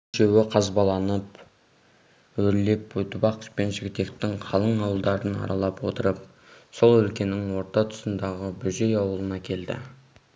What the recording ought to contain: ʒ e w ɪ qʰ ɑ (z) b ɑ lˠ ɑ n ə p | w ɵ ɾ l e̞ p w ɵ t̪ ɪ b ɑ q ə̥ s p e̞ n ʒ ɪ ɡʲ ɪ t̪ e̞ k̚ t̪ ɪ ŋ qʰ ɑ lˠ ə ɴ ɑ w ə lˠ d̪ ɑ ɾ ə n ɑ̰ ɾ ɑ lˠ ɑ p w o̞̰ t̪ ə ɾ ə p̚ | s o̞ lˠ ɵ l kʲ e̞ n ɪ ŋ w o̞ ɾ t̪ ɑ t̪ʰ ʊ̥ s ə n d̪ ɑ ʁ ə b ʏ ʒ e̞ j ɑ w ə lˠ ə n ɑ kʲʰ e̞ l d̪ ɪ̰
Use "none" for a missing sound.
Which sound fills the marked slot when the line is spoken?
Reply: z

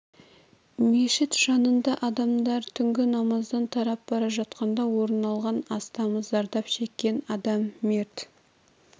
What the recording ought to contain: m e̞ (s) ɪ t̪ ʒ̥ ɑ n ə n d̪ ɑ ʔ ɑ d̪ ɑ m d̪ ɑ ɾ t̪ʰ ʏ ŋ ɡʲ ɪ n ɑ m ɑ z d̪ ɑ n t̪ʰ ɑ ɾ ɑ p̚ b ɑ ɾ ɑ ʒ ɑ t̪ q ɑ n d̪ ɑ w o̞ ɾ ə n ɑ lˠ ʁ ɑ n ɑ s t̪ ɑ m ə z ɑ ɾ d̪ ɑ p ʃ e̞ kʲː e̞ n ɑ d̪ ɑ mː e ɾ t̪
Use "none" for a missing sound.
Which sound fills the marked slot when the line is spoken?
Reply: ʃ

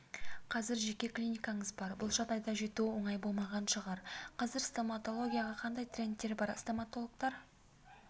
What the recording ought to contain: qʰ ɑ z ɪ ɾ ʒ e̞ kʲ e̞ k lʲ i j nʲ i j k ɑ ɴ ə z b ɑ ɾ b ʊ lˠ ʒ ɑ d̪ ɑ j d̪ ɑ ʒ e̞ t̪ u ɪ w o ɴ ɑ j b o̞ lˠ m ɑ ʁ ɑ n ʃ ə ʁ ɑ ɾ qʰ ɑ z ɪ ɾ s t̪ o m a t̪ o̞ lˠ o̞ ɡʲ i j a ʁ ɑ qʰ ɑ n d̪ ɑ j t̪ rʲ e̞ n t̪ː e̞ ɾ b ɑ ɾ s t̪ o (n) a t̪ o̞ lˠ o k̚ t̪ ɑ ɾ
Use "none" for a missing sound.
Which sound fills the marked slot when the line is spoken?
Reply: m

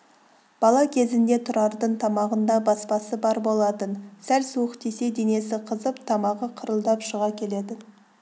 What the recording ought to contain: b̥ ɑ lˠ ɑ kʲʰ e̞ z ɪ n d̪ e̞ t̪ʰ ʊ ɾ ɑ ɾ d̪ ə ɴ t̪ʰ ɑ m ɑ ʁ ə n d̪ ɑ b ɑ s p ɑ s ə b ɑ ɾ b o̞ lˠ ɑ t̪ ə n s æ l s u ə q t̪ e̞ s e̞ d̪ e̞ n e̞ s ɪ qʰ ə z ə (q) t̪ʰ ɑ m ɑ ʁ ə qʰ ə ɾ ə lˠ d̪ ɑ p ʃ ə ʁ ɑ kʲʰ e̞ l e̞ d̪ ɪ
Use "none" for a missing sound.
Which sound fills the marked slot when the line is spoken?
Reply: p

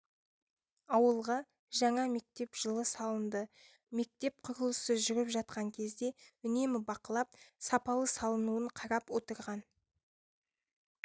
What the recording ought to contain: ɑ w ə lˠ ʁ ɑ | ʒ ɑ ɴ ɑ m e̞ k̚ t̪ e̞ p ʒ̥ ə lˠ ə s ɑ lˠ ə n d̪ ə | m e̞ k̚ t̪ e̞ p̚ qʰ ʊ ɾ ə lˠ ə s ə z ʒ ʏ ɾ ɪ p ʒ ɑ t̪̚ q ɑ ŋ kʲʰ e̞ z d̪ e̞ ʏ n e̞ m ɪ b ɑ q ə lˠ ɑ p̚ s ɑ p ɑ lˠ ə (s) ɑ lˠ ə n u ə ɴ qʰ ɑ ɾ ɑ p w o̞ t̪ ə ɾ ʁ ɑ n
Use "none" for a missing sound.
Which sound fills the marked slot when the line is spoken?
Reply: s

